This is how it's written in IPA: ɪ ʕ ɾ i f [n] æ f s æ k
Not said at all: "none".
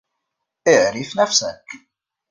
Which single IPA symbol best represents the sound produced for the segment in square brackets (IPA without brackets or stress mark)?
n